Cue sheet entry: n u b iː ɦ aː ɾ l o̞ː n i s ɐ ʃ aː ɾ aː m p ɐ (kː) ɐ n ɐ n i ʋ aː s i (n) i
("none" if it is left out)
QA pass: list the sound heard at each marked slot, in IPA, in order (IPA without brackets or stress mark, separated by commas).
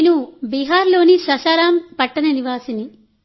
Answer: ʈː, n